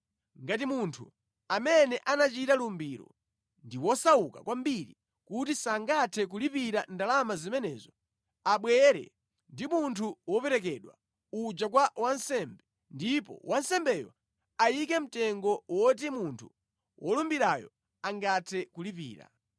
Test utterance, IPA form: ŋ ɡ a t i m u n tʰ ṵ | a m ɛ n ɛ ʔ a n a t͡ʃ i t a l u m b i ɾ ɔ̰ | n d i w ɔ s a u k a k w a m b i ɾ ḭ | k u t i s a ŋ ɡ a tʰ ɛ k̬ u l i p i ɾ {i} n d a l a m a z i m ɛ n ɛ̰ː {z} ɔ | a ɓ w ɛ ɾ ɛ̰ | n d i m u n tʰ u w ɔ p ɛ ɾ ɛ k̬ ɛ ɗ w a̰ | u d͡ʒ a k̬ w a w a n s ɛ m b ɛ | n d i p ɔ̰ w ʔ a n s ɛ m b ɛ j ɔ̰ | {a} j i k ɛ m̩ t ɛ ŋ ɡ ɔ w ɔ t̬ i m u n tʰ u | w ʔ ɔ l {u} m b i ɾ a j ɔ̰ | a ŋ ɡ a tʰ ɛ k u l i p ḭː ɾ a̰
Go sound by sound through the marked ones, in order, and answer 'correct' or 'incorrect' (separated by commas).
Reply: incorrect, correct, correct, correct